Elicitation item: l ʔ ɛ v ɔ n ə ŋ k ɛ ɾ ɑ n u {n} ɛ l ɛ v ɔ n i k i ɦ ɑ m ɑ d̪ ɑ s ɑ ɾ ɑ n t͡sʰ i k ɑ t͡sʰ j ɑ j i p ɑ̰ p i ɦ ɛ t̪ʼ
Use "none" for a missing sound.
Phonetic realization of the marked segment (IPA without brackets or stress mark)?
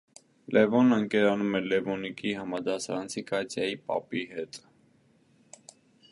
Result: m